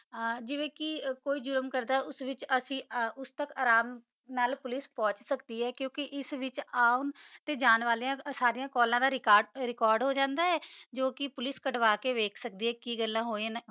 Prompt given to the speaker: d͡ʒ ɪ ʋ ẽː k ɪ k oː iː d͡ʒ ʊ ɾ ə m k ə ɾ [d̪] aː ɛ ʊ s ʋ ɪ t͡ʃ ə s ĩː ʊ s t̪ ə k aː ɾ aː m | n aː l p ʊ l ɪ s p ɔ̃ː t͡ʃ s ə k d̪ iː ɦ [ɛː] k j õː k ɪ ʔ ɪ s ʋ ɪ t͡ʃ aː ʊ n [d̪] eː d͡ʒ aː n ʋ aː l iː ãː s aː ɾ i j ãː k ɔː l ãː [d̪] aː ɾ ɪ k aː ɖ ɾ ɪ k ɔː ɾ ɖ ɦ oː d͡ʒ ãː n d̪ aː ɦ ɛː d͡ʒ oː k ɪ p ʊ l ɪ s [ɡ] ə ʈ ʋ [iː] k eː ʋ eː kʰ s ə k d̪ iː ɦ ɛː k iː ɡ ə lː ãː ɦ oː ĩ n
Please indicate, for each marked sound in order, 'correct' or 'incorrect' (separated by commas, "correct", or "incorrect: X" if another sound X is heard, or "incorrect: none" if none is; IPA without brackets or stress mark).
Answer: correct, correct, incorrect: t̪, correct, incorrect: k, incorrect: aː